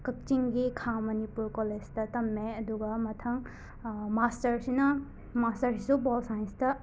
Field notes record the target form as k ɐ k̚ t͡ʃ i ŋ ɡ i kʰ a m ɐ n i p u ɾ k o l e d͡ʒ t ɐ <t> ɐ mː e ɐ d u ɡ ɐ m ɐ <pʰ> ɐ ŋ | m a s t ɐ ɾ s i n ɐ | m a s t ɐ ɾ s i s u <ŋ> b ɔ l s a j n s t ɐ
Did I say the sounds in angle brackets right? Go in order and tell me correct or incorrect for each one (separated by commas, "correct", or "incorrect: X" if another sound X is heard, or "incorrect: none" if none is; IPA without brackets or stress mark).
correct, incorrect: tʰ, incorrect: none